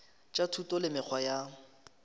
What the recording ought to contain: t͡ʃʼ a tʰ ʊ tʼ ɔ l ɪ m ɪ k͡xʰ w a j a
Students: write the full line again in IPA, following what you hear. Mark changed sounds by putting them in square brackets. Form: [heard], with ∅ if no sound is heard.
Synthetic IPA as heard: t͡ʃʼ a tʰ [u] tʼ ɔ l ɪ m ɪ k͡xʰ w a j a